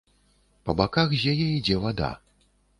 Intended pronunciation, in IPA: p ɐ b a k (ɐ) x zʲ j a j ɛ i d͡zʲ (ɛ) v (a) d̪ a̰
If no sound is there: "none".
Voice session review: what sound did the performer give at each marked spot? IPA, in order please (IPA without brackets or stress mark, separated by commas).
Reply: a, ɛ, a